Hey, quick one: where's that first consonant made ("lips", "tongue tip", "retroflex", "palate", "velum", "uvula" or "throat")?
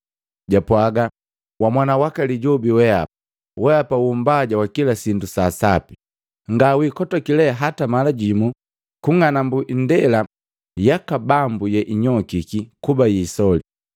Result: palate